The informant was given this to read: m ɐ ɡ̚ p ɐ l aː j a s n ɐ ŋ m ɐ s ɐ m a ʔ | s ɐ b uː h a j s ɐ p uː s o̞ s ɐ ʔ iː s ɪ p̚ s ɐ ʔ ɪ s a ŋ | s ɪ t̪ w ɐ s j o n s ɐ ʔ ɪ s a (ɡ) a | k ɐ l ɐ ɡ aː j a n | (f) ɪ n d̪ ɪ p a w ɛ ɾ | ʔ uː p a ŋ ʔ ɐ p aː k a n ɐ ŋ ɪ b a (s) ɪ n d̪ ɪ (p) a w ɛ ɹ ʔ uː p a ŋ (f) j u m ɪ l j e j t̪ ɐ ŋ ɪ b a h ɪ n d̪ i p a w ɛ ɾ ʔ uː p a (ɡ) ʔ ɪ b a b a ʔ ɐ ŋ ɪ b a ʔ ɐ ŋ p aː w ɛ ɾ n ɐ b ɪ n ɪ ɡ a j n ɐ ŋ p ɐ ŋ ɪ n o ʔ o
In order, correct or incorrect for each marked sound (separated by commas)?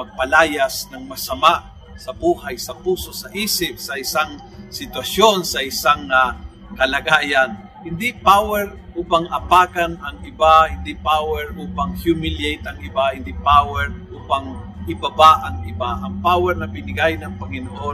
incorrect, incorrect, incorrect, correct, incorrect, incorrect